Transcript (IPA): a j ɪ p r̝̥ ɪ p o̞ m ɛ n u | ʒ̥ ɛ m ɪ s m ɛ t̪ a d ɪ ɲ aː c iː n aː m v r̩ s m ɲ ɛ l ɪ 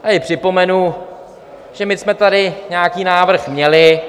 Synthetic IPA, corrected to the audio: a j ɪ p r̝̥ ɪ p o̞ m ɛ n u | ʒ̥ ɛ m ɪ s m ɛ t̪ a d ɪ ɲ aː k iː n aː v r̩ x m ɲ ɛ l ɪ